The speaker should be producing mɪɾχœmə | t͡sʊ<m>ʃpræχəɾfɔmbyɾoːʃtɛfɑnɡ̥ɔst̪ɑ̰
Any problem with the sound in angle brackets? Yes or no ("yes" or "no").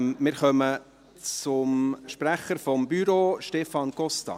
no